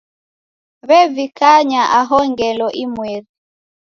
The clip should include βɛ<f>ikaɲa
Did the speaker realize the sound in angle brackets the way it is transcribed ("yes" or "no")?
no